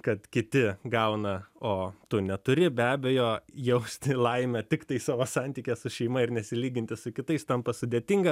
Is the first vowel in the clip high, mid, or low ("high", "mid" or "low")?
low